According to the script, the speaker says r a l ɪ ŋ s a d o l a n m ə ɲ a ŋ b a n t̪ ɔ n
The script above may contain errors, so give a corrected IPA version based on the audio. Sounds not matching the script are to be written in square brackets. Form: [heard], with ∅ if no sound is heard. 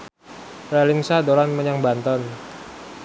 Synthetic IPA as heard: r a l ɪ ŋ s a d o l a n m ə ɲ a ŋ b a n t̪ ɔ n